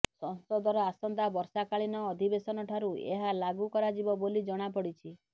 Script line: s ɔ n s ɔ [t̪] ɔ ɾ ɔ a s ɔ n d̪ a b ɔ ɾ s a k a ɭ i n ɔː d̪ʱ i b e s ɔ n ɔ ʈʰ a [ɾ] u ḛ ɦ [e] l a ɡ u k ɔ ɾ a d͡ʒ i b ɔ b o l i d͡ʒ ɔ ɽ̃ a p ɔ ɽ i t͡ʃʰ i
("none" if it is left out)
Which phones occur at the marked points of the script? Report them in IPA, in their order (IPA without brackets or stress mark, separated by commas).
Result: d̪, ɾ, a